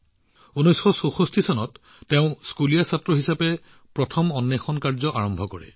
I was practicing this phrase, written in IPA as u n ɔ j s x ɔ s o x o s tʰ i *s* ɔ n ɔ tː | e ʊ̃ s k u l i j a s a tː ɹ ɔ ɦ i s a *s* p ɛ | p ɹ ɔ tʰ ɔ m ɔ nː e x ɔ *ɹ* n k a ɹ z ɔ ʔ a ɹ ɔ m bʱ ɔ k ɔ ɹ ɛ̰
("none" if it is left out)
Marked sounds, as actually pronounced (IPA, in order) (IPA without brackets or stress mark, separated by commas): s, none, none